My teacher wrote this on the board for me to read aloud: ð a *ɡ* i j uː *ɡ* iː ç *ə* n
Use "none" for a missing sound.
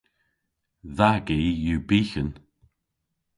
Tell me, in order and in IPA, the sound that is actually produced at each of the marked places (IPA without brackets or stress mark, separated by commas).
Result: ɡ, b, ə